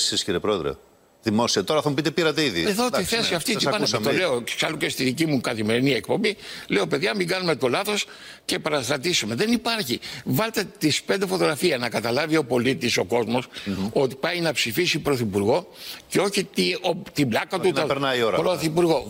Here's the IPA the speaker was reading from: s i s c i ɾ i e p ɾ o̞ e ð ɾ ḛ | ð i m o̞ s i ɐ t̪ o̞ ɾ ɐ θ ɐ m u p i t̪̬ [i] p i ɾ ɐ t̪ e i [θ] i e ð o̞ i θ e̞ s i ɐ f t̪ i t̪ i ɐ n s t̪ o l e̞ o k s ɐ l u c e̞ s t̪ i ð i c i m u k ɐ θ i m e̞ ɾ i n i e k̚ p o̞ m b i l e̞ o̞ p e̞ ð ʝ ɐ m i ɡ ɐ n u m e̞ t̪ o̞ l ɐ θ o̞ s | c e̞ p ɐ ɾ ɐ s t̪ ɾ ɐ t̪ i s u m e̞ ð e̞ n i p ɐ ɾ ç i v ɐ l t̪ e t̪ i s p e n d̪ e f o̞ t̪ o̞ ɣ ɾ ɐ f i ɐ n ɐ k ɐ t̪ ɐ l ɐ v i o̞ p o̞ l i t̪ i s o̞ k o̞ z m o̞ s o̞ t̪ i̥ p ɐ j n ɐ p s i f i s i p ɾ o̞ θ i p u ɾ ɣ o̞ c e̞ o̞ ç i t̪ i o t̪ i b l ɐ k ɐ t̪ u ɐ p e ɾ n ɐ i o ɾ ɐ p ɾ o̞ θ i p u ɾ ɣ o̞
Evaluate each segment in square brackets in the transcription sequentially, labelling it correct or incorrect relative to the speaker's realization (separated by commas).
incorrect, incorrect